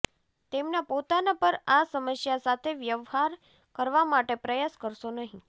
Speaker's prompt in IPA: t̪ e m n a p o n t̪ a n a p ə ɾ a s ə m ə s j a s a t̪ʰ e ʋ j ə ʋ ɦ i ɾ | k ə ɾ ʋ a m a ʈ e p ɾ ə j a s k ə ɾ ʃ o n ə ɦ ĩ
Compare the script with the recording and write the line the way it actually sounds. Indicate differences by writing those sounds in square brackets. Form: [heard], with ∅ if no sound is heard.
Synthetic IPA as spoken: t̪ e m n a p o [∅] t̪ a n a p ə ɾ a s ə m ə s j a s a t̪ʰ e ʋ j ə ʋ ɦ [a] ɾ | k ə ɾ ʋ a m a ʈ e p ɾ ə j a s k ə ɾ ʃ o n ə ɦ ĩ